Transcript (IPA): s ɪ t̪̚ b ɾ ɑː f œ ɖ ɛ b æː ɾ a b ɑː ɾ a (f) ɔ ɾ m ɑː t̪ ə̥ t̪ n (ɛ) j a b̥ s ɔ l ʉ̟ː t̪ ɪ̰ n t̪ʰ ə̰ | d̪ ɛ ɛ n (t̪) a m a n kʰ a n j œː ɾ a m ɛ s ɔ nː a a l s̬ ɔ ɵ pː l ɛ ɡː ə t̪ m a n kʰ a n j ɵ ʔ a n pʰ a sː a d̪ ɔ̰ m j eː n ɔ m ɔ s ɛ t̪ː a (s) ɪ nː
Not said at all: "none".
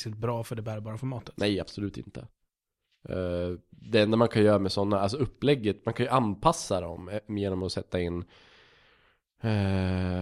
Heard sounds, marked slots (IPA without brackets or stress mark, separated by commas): f, ɛ, d̪, none